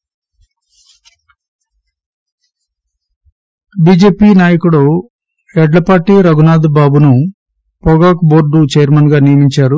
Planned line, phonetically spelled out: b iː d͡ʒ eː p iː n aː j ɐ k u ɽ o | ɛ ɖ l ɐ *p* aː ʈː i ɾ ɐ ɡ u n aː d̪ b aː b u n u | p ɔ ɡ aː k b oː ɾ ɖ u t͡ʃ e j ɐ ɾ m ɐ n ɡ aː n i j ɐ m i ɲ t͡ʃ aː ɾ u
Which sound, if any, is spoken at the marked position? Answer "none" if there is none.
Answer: p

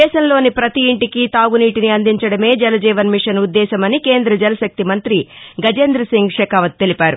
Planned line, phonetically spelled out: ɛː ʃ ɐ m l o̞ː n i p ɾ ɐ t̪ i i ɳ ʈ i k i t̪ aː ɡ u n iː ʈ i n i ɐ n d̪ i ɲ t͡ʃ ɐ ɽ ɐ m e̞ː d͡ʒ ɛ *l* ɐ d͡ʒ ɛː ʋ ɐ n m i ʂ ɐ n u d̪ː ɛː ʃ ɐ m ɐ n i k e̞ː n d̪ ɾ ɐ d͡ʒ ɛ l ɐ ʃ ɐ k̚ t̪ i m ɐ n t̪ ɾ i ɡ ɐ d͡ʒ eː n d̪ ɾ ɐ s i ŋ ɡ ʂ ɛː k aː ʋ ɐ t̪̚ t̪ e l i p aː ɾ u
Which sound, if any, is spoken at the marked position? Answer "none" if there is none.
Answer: l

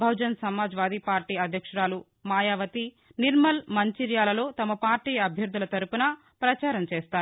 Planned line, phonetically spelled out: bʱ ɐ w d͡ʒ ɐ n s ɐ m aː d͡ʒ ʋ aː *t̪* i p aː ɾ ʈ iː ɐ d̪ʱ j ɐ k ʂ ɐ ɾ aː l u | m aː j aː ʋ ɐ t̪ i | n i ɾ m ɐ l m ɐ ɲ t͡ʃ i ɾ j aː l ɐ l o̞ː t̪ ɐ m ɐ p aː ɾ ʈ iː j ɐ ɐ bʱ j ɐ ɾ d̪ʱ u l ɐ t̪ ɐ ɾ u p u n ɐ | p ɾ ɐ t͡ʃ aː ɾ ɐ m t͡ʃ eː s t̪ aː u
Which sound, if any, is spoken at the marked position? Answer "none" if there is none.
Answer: d̪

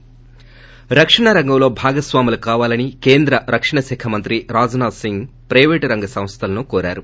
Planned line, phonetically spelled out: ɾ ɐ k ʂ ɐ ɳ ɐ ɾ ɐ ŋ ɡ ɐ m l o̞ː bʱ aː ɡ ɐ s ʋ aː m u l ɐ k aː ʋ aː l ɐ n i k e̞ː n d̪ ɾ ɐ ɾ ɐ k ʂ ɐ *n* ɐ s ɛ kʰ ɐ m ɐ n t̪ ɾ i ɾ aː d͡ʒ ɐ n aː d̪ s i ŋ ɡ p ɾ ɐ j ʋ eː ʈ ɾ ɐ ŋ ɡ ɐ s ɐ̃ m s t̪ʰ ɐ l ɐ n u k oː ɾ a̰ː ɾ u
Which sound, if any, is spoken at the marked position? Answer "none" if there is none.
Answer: ɳ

